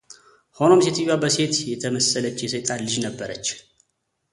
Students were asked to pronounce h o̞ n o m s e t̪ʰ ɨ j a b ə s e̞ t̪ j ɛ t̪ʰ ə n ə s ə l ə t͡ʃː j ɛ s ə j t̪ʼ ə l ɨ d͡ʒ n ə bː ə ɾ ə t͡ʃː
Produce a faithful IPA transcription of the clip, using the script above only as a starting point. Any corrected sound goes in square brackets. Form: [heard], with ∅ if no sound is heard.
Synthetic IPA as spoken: h o̞ n o m s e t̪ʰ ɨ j a b ə s e̞ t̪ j ɛ t̪ʰ ə [m] ə s ə l ə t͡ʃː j ɛ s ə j t̪ʼ [a] l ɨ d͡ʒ n ə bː ə ɾ ə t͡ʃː